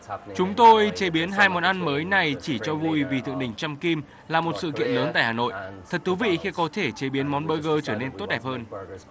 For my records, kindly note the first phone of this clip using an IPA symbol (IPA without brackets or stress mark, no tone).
t͡ɕ